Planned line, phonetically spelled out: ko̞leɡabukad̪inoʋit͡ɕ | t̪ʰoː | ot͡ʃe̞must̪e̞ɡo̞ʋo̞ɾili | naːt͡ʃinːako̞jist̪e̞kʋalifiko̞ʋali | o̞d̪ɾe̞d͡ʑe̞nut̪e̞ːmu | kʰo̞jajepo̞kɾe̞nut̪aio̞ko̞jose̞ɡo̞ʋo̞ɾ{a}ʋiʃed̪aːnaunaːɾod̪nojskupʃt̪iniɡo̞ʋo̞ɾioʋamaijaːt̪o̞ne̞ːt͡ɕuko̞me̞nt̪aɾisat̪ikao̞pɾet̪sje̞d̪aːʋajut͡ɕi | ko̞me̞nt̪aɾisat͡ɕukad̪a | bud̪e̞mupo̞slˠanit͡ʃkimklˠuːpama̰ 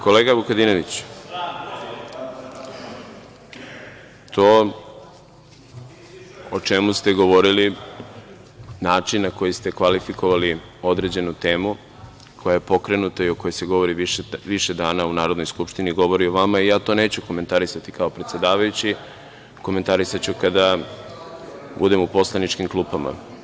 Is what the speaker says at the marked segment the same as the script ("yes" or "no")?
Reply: no